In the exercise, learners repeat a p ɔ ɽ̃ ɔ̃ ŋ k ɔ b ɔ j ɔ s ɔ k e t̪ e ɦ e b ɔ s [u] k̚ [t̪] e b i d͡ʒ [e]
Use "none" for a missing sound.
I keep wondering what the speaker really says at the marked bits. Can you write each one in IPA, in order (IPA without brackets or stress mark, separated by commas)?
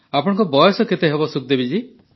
u, d̪, i